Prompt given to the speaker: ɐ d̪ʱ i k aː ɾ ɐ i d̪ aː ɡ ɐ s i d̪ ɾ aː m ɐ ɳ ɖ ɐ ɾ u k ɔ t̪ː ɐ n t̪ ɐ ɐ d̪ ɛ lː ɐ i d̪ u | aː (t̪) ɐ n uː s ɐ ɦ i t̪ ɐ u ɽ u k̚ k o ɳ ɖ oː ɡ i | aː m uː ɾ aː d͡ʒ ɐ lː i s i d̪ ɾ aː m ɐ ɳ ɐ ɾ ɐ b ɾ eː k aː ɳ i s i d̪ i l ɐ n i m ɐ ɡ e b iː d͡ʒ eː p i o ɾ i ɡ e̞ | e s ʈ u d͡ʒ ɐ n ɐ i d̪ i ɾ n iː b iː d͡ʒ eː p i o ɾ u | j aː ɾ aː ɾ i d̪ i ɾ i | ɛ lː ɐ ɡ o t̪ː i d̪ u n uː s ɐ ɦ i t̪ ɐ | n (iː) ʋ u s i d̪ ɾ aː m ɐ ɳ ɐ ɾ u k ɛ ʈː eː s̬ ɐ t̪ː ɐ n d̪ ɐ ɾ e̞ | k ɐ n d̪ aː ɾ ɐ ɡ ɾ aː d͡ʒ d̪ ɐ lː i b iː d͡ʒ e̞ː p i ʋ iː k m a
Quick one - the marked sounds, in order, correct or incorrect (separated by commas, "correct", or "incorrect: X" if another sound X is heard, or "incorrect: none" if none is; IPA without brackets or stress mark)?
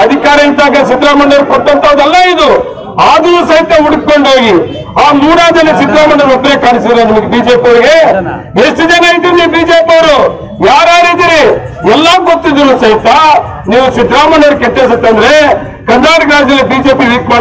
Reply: incorrect: d̪, correct